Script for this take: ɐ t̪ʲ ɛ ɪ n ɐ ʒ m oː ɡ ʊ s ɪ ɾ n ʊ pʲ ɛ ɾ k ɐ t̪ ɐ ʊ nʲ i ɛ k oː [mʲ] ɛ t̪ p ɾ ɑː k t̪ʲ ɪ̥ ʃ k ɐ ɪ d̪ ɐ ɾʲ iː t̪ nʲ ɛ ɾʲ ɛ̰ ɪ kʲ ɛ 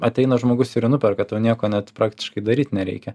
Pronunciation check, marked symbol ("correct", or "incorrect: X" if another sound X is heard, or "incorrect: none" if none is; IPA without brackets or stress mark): incorrect: nʲ